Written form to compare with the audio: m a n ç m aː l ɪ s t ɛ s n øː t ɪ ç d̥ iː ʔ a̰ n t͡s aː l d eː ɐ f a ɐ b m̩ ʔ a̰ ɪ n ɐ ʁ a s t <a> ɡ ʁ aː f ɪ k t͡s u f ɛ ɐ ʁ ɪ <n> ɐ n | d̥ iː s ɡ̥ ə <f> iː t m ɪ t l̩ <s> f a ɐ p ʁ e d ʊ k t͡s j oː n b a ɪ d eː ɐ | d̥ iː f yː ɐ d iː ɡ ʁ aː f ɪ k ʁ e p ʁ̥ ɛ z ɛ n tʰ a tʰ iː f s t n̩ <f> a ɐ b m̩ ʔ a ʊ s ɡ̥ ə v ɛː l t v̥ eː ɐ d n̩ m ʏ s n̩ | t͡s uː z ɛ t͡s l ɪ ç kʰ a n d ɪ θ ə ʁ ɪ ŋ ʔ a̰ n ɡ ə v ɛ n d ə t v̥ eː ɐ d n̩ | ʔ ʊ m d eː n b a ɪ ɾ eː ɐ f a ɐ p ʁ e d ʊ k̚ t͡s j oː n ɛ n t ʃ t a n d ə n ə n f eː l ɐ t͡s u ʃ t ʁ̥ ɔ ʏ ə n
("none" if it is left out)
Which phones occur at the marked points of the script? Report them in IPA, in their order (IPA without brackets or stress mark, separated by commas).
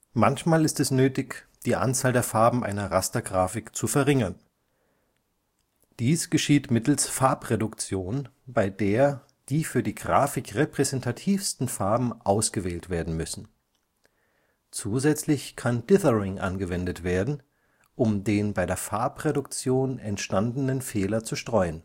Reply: ɐ, ŋ, ʃ, s, f